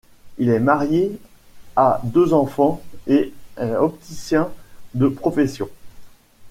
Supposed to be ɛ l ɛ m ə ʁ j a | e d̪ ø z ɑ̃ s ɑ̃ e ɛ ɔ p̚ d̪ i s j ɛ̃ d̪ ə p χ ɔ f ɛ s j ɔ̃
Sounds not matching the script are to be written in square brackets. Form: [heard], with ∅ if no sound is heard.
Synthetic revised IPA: [i] l ɛ m [a] ʁ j [e] | [a] d̪ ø z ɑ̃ [f] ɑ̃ e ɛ ɔ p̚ [t̪] i s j ɛ̃ d̪ ə p χ ɔ f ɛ s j ɔ̃